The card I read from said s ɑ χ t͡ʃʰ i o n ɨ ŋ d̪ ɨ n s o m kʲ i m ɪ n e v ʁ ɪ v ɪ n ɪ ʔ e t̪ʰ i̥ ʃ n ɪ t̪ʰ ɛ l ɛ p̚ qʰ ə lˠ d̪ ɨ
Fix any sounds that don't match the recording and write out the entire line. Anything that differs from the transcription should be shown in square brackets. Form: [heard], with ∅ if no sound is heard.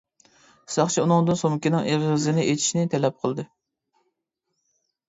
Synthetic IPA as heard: s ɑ χ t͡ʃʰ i [u] n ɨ ŋ d̪ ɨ n s o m kʲ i [n] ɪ [ŋ] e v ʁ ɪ [z] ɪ n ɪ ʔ e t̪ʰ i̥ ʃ n ɪ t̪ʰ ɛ l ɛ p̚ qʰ ə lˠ d̪ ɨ